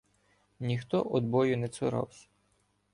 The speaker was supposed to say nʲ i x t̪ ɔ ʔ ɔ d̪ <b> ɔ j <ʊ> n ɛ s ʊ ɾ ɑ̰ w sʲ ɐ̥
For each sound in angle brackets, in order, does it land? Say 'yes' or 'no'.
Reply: yes, yes

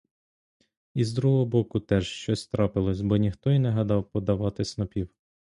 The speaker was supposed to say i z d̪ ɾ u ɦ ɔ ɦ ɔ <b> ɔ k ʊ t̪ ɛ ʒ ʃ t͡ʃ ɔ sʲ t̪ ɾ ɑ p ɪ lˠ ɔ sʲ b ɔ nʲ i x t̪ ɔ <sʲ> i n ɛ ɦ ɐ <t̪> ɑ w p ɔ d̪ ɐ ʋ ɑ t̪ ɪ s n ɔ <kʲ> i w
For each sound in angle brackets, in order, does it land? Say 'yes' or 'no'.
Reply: yes, no, no, no

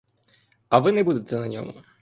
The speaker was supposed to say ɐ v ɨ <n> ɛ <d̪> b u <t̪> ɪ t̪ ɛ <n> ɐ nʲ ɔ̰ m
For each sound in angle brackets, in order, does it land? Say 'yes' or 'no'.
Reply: yes, no, no, yes

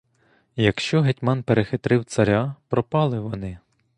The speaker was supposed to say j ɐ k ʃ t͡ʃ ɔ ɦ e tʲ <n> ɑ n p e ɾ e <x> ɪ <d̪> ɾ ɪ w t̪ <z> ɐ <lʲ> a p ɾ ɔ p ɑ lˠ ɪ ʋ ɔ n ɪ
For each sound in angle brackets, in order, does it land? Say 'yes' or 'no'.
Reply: no, yes, no, no, no

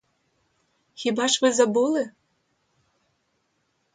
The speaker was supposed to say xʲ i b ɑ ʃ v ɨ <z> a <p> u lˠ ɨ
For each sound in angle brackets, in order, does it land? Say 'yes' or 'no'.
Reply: yes, no

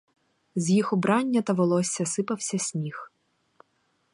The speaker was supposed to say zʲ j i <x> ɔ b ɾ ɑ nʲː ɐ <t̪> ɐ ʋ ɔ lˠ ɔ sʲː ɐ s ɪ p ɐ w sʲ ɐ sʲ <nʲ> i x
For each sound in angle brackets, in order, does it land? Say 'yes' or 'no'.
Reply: yes, yes, no

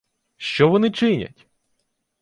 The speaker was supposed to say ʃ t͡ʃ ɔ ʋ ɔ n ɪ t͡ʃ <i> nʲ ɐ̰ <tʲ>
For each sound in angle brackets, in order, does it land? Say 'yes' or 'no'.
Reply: no, yes

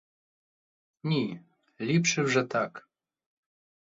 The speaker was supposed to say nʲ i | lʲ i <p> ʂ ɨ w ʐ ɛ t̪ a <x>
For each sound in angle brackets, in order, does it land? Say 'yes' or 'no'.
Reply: yes, no

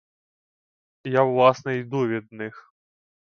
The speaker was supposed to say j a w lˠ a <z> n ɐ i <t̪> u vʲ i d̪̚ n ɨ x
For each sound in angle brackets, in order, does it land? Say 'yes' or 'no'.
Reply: no, no

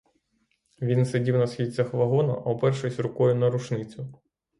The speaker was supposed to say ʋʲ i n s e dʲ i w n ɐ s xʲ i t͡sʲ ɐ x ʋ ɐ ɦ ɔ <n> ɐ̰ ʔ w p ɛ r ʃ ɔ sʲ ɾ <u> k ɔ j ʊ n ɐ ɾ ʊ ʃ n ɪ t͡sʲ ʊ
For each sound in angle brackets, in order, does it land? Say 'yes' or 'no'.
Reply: yes, no

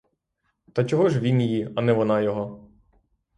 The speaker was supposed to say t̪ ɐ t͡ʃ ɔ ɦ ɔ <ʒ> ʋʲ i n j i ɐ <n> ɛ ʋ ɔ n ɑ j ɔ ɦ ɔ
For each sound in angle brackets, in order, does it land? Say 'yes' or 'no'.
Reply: yes, yes

